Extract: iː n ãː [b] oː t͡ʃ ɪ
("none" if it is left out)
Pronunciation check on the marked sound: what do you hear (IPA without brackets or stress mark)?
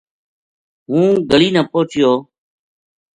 p